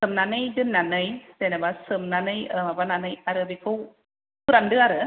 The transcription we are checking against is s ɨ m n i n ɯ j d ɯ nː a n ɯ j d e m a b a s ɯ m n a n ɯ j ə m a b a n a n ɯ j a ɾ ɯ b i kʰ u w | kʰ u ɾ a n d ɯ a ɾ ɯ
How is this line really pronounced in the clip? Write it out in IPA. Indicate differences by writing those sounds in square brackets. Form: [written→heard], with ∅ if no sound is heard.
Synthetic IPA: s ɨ m n [i→a] n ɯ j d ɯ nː a n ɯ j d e [m→n] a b a s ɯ m n a n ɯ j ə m a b a n a n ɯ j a ɾ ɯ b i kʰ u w | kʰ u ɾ a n d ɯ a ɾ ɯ

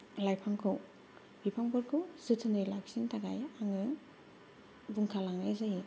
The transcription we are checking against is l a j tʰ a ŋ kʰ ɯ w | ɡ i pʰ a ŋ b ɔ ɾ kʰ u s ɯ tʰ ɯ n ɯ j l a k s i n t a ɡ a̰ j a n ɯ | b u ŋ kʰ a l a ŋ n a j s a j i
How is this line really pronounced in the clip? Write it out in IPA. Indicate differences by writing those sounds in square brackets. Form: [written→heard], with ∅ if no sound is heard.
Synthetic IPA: l a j [tʰ→pʰ] a ŋ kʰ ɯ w | [ɡ→b] i pʰ a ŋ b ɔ ɾ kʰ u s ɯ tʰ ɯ n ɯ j l a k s i n t a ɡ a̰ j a [n→ŋ] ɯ | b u ŋ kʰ a l a ŋ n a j [s→z] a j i

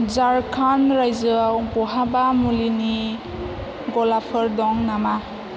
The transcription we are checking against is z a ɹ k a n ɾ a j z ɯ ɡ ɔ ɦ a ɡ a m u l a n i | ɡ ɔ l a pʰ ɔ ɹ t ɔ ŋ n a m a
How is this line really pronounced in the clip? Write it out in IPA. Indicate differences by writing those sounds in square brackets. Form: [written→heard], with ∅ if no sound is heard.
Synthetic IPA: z a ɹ [k→kʰ] a n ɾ a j z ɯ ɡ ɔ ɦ a [ɡ→b] a m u l [a→i] n i | ɡ ɔ l a pʰ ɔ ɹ [t→d] ɔ ŋ n a m a

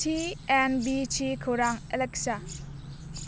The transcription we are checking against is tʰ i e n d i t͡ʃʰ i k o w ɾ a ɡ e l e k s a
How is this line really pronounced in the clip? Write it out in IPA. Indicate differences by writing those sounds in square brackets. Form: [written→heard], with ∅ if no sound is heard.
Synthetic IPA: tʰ i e n [d→b] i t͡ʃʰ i [k→kʰ] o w ɾ a [ɡ→ŋ] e l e k s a

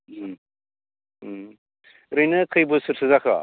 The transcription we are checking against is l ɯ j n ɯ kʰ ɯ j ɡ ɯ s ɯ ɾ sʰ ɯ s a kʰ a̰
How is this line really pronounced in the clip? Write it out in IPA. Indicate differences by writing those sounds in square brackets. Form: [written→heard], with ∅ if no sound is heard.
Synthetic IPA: [l→ɾ] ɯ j n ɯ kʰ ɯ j [ɡ→b] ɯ s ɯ ɾ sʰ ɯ [s→z] a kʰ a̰

